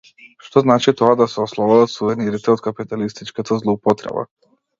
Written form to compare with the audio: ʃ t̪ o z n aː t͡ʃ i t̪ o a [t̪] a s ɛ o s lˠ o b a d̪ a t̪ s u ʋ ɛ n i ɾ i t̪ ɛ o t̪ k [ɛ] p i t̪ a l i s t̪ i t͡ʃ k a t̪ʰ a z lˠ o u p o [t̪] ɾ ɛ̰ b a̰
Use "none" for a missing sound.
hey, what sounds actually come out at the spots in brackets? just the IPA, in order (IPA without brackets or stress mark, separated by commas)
d̪, a, t̪